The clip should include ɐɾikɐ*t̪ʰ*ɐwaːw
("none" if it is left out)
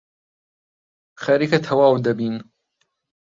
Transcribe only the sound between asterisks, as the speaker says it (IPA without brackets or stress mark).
t̪ʰ